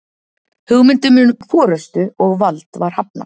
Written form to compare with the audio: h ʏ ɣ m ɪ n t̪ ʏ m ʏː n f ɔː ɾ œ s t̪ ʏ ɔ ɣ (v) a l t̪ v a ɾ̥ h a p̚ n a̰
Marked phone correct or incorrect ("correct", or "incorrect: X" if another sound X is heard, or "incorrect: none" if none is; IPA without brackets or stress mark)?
correct